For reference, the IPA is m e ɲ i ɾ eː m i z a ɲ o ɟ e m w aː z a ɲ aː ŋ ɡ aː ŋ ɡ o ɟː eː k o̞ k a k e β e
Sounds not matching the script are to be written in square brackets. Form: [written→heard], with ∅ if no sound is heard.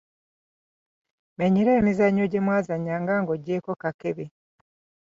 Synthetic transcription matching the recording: m e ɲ i ɾ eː m i z a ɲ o ɟ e m w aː z a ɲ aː ŋ ɡ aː ŋ ɡ o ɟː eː k o̞ k a k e β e